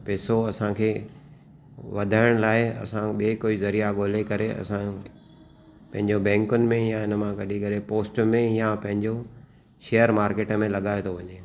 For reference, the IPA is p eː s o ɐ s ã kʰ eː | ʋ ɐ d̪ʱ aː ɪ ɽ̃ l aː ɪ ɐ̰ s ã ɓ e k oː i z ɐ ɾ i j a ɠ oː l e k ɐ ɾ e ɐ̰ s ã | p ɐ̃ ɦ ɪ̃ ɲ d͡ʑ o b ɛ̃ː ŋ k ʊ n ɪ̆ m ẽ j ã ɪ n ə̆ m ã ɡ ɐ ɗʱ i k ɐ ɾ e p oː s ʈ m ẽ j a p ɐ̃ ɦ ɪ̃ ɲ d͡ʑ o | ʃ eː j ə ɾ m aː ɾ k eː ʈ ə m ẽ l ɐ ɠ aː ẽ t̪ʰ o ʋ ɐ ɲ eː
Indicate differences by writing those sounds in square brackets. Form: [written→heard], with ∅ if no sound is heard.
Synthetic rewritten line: p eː s o ɐ s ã kʰ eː | ʋ ɐ d̪ʱ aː ɪ ɽ̃ l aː ɪ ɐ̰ s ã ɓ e k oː i z ɐ ɾ i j a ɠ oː l e k ɐ ɾ e ɐ̰ s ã | p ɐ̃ ɦ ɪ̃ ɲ d͡ʑ o b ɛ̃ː ŋ k ʊ n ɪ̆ m ẽ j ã ɪ n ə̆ m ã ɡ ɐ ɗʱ i k ɐ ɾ e p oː s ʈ m ẽ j a p ɐ̃ ɦ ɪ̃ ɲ d͡ʑ o | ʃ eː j ə ɾ m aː ɾ k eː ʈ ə m ẽ l ɐ ɠ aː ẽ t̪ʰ o ʋ ɐ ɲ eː